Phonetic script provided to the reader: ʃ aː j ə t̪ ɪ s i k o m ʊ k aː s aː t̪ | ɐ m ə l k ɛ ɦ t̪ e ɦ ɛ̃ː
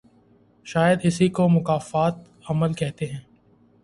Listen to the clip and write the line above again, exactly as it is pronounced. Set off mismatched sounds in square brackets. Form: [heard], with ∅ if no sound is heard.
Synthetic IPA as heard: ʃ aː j ə [d̪] ɪ s i k o m ʊ k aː [f] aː t̪ | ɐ m ə l k ɛ ɦ t̪ e ɦ ɛ̃ː